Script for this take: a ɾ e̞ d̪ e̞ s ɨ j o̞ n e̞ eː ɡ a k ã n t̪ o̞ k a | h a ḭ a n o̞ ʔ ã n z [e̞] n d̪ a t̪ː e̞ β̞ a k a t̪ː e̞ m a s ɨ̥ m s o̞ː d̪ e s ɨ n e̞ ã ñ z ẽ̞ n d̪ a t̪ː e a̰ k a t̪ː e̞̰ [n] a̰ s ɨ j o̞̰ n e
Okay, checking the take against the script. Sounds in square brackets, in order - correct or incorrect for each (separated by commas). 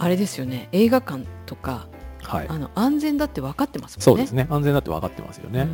incorrect, incorrect